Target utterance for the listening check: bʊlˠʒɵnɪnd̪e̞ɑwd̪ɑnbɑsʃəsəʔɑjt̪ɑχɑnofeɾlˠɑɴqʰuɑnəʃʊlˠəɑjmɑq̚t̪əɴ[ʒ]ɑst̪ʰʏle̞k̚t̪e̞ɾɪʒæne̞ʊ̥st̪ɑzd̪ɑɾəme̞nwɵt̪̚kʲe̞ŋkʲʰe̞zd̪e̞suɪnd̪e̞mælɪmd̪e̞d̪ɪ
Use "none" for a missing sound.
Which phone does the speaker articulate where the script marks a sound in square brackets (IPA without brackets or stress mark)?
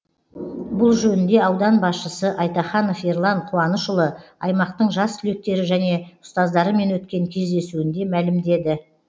ʒ